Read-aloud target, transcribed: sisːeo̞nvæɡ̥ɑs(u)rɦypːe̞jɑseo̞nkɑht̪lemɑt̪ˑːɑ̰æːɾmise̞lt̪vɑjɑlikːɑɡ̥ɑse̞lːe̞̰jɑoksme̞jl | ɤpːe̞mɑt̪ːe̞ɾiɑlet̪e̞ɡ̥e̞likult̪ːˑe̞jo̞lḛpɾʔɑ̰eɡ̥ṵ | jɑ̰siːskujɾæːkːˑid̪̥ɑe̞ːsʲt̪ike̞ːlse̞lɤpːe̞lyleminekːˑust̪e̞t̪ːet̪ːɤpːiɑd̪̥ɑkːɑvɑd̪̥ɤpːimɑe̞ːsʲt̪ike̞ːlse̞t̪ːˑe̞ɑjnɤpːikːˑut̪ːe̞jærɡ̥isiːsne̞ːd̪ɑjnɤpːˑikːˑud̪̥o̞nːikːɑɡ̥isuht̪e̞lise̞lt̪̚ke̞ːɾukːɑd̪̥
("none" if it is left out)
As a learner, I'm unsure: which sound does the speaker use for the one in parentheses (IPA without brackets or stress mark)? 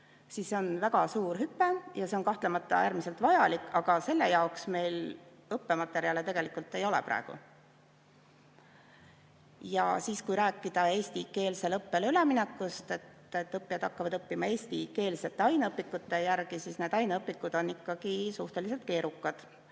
uː